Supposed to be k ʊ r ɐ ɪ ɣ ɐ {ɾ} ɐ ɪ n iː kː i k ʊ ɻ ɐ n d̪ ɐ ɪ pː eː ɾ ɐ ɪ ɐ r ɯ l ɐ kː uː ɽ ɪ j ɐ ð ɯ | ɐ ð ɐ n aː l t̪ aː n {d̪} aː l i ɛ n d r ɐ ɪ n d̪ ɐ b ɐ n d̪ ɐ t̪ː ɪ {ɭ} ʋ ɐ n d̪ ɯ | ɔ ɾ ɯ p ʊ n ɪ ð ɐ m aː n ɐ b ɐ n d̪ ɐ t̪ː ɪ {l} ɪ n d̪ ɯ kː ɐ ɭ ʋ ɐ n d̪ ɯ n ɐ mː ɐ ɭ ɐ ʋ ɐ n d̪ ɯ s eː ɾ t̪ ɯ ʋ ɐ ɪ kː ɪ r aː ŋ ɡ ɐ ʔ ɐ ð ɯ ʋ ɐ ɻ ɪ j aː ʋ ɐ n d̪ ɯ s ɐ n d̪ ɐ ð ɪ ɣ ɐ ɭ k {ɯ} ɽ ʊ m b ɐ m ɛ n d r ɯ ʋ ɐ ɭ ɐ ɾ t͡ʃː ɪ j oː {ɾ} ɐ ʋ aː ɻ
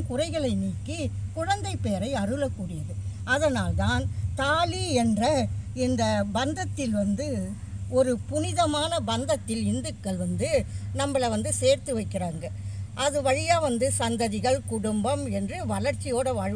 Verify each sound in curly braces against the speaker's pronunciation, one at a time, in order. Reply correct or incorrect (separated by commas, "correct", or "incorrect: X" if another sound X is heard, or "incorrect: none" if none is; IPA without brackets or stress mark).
incorrect: ɭ, incorrect: t̪, incorrect: l, correct, incorrect: ʊ, incorrect: ɽ